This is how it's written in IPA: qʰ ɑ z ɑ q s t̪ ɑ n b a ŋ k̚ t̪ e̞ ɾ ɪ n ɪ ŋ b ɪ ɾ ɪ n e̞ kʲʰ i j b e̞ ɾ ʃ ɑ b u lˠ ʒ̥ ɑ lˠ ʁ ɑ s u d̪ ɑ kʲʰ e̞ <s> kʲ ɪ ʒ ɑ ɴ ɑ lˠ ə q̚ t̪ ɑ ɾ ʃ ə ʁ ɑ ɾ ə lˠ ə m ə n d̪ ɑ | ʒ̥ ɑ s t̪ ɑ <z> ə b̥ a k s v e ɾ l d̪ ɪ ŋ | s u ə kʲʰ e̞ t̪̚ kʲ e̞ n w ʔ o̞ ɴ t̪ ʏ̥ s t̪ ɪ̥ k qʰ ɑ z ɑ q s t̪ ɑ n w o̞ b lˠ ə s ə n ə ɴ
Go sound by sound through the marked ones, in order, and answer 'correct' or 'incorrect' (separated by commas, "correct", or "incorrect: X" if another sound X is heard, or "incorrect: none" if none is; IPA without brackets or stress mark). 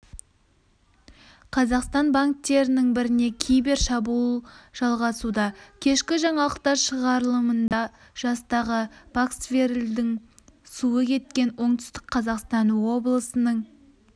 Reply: incorrect: ʃ, incorrect: ʁ